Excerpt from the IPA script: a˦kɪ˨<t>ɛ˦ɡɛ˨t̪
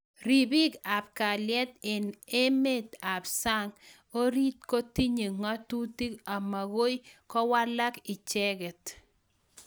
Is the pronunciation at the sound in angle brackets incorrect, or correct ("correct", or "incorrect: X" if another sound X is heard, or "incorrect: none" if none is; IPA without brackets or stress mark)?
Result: incorrect: t͡ʃ